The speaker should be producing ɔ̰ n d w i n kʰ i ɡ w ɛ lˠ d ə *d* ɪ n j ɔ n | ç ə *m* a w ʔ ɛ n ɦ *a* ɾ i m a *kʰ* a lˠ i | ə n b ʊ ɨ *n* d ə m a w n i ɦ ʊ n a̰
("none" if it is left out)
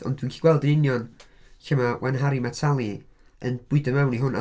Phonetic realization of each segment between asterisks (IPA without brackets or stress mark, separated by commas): n, m, a, tʰ, none